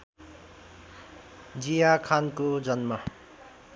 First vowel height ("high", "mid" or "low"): high